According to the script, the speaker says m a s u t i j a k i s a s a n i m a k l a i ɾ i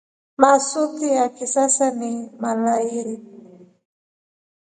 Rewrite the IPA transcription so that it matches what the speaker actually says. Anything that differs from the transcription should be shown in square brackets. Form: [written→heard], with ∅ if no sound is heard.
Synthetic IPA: m a s u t i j a k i s a s a n i m a [k→∅] l a i ɾ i